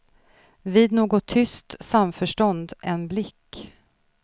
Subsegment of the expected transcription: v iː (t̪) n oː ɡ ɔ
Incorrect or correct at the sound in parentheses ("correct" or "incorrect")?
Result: incorrect